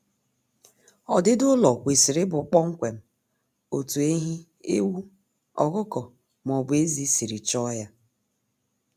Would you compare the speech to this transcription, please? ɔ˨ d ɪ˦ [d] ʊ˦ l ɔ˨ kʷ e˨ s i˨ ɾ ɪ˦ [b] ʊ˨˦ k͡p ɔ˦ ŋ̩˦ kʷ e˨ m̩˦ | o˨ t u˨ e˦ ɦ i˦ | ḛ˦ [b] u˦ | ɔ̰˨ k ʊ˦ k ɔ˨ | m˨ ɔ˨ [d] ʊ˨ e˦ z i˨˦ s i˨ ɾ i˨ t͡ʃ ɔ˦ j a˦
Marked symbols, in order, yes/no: yes, yes, no, no

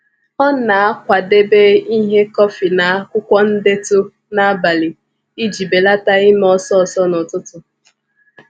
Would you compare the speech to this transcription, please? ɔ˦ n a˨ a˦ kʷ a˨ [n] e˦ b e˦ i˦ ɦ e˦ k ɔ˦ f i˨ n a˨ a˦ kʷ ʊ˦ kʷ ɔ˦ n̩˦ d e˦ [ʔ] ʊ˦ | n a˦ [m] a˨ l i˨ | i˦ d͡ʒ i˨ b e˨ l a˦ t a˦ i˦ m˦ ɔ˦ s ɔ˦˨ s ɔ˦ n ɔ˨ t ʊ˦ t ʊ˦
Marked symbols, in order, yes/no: no, no, no

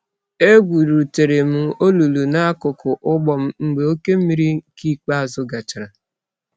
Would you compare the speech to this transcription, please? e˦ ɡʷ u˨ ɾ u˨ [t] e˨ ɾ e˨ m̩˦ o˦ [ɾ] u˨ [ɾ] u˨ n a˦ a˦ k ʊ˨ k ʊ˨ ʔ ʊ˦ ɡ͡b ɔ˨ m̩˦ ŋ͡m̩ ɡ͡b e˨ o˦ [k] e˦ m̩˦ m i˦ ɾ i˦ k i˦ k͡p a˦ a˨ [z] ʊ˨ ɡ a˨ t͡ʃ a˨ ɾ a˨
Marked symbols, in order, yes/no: yes, no, no, yes, yes

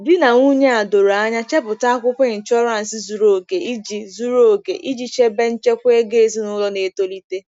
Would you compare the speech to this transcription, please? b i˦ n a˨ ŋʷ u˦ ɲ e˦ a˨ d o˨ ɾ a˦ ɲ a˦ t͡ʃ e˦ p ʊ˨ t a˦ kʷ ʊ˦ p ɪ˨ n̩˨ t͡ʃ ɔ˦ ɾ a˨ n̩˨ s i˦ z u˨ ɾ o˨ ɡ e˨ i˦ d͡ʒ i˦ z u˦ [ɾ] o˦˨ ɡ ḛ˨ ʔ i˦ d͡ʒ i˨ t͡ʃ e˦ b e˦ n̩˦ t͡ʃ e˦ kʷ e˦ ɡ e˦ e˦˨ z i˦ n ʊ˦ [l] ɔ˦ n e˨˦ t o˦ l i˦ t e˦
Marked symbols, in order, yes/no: yes, yes

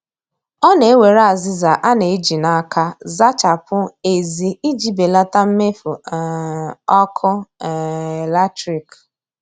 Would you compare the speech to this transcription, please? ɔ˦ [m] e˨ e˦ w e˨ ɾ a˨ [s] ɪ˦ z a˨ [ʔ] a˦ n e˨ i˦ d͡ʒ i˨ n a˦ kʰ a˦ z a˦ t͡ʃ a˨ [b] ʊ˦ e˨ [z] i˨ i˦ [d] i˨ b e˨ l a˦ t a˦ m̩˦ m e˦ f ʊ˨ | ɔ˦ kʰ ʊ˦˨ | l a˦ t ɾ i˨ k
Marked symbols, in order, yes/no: no, no, yes, no, yes, no

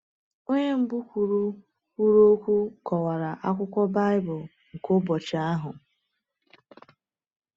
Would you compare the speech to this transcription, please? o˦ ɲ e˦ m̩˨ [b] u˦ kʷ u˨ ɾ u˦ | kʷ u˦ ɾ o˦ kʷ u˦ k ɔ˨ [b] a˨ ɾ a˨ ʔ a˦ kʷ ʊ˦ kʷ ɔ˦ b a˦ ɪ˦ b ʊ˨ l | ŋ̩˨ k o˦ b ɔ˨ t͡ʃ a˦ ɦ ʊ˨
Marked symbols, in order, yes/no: yes, no

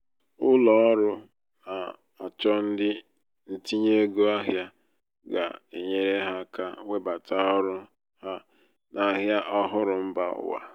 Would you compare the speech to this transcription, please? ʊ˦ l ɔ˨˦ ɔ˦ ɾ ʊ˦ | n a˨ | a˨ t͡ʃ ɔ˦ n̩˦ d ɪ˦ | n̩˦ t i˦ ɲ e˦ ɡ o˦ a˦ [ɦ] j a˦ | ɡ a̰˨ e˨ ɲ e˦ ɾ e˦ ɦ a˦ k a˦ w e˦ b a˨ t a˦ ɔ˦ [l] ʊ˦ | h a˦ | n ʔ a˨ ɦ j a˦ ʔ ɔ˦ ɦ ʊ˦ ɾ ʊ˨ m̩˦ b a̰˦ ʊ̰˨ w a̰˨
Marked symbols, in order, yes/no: yes, no

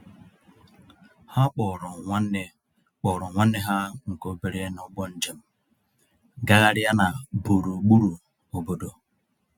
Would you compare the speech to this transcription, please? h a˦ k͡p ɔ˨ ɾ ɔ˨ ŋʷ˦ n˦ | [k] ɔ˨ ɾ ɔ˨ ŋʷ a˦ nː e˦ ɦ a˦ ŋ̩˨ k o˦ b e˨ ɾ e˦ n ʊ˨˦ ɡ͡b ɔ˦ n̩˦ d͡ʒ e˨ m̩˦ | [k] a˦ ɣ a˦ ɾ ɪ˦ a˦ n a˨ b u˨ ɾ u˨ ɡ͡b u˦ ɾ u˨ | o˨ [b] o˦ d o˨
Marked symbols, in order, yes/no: no, no, yes

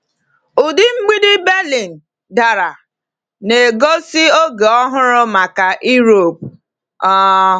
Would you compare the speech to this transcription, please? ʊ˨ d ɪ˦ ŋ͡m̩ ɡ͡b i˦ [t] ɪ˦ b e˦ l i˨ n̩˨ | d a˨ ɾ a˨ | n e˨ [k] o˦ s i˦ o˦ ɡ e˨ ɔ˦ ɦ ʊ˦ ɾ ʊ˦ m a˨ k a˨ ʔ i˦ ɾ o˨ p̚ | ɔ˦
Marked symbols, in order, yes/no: no, no

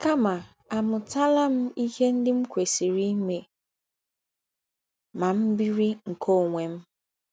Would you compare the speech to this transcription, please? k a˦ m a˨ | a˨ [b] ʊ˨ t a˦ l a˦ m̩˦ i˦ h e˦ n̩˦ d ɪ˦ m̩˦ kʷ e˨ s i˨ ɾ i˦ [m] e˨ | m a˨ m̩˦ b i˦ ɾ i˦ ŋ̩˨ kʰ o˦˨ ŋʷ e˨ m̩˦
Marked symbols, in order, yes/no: no, yes

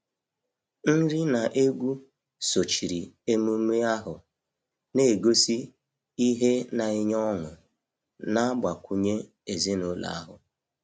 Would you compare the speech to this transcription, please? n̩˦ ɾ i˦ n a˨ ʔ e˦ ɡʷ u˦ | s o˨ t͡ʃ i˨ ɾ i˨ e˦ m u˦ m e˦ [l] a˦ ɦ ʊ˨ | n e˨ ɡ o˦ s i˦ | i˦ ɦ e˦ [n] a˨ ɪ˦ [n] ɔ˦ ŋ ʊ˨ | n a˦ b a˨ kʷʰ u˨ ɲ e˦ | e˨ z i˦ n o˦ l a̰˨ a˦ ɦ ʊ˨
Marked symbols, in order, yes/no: no, yes, no

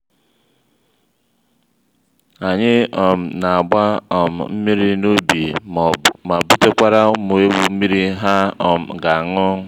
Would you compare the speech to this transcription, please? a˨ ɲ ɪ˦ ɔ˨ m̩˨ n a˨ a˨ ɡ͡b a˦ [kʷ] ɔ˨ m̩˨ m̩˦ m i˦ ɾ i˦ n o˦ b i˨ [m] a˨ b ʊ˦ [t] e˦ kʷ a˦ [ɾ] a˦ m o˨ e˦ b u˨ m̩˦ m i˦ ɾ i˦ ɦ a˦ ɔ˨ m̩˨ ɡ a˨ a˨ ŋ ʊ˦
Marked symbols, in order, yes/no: no, yes, yes, yes

